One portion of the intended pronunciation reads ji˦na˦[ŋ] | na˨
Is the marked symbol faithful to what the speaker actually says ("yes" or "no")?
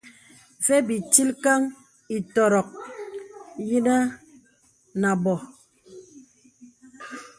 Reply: no